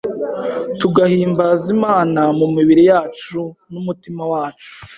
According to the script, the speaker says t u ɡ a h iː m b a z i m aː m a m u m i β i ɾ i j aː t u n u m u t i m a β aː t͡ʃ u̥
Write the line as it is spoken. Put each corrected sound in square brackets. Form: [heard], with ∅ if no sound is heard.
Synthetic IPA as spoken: t u ɡ a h iː m b a z i m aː [n] a m u m i β i ɾ i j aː [t͡ʃ] u n u m u t i m a [w] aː t͡ʃ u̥